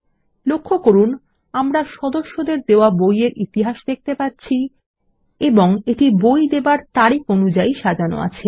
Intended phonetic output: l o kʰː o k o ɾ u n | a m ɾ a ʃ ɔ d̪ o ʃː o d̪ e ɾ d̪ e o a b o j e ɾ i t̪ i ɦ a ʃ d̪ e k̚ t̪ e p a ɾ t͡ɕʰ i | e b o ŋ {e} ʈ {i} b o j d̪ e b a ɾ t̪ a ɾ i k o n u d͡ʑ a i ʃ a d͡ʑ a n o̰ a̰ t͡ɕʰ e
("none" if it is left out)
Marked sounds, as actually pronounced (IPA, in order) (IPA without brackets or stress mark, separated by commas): e, i